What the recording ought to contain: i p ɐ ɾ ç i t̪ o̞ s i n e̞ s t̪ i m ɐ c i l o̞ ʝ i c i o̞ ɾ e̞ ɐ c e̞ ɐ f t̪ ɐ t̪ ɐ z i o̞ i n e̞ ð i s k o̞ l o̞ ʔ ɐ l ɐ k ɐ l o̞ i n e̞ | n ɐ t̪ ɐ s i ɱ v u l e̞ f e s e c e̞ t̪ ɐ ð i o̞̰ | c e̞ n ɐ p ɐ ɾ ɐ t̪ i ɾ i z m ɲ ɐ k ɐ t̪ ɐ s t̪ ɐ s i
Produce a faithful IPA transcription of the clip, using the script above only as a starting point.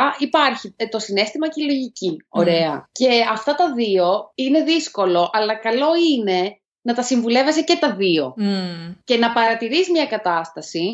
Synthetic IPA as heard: i p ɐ ɾ ç i t̪ o̞ s i n e̞ s t̪ i m ɐ c i l o̞ ʝ i c i o̞ ɾ e̞ ɐ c e̞ ɐ f t̪ ɐ t̪ ɐ ð i o̞ i n e̞ ð i s k o̞ l o̞ ʔ ɐ l ɐ k ɐ l o̞ i n e̞ | n ɐ t̪ ɐ s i ɱ v u l e̞ v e s e c e̞ t̪ ɐ ð i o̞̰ | c e̞ n ɐ p ɐ ɾ ɐ t̪ i ɾ i z m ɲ ɐ k ɐ t̪ ɐ s t̪ ɐ s i